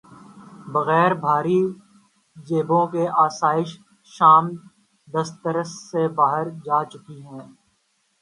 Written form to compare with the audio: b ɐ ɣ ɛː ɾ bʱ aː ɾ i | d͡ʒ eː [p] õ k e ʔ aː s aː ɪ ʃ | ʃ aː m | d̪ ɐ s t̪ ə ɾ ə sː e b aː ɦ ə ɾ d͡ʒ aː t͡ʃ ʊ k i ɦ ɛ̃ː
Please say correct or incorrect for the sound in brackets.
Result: incorrect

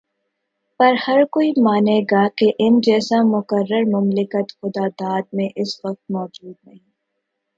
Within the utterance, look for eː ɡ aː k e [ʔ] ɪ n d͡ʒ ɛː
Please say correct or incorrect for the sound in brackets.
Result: correct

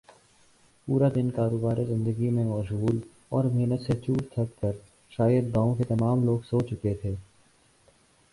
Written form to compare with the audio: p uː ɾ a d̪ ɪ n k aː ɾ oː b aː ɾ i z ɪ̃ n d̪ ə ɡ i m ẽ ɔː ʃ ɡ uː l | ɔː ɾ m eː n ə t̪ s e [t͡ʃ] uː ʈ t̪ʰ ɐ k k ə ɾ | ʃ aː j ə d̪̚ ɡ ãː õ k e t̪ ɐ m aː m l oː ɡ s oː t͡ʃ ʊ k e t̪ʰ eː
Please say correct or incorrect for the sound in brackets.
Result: correct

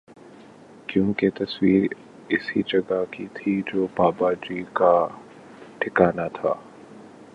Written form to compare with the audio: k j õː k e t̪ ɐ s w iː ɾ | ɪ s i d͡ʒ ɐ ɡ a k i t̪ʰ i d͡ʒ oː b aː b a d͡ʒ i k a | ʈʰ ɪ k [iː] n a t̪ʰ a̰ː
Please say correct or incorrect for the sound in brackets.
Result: incorrect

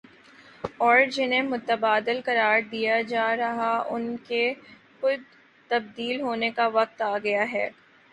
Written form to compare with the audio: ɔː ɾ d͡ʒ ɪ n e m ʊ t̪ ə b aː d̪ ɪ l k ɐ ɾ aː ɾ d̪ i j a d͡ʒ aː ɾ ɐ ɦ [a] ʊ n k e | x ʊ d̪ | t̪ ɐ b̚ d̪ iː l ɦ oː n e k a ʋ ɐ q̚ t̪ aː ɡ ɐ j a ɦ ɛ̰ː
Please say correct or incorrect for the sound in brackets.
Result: correct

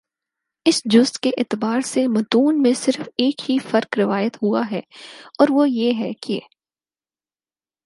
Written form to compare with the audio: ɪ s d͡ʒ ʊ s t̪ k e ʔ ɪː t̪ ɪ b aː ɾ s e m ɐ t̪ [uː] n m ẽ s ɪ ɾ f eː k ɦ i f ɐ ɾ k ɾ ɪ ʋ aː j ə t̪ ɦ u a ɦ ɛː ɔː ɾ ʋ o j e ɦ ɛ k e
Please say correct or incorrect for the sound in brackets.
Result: correct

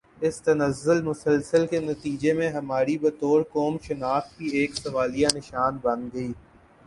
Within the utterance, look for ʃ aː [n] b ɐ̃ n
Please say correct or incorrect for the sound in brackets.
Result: correct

